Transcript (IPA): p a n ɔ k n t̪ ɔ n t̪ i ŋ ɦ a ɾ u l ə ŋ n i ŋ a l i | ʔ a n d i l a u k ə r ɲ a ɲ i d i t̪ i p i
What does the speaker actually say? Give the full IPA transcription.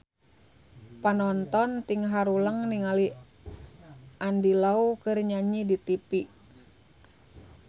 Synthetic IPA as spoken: p a n ɔ n t̪ ɔ n t̪ i ŋ ɦ a ɾ u l ə ŋ n i ŋ a l i | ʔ a n d i l a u k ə r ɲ a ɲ i d i t̪ i p i

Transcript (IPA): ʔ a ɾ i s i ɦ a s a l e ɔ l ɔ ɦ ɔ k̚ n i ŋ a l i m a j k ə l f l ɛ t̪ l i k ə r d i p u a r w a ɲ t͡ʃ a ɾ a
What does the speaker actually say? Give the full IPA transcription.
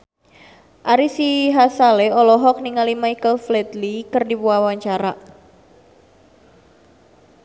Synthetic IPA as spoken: ʔ a ɾ i s i ɦ a s a l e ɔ l ɔ ɦ ɔ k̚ n i ŋ a l i m a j k ə l f l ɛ t̪ l i k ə r d i p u a w a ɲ t͡ʃ a ɾ a

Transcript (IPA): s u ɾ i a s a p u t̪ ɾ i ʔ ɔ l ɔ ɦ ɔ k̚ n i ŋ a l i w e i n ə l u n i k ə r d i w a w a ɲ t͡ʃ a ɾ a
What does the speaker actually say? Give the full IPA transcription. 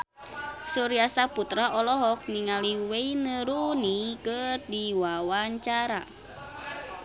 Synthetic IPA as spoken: s u ɾ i a s a p u t̪ ɾ a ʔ ɔ l ɔ ɦ ɔ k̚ n i ŋ a l i w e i n ə ɾ u n i k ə r d i w a w a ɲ t͡ʃ a ɾ a

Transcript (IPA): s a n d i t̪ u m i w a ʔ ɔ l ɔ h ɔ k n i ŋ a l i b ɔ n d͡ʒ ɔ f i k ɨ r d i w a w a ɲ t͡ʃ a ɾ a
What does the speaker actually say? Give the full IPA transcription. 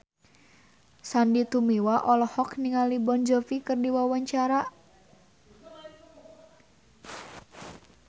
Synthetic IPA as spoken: s a n d i t̪ u m i w a ʔ ɔ l ɔ h ɔ k n i ŋ a l i b ɔ n d͡ʒ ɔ f i k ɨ r d i w a w a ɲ t͡ʃ a ɾ a

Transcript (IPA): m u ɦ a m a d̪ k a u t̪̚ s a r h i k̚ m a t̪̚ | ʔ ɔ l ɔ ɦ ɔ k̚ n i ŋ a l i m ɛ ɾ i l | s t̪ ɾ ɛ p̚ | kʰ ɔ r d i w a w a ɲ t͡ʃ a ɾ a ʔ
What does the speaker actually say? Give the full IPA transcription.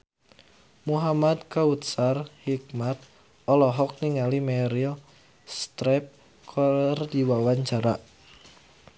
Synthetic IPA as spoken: m u ɦ a m a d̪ k a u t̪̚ s a r h i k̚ m a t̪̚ | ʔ ɔ l ɔ ɦ ɔ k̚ n i ŋ a l i m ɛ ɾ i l | s t̪ ɾ ɛ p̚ | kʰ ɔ r d i w a w a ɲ t͡ʃ a ɾ a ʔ

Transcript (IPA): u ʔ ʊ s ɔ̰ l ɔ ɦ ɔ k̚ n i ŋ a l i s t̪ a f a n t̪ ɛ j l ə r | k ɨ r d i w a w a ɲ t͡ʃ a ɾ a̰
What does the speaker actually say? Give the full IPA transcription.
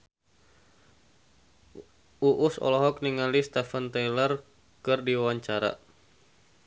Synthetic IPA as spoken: u ʔ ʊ s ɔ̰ l ɔ ɦ ɔ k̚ n i ŋ a l i s t̪ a f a n t̪ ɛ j l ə r | k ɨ r d i w a w a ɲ t͡ʃ a ɾ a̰

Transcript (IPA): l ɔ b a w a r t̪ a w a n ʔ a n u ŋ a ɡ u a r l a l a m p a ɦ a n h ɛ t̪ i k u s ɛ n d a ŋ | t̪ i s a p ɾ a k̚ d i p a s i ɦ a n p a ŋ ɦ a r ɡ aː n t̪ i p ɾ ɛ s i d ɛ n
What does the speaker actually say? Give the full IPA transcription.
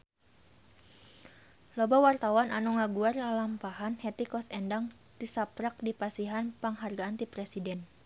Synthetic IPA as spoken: l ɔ b a w a r t̪ a w a n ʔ a n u ŋ a ɡ u a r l a l a m p a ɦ a n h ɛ t̪ i k ɔ s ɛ n d a ŋ | t̪ i s a p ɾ a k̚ d i p a s i ɦ a n p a ŋ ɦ a r ɡ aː n t̪ i p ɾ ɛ s i d ɛ n

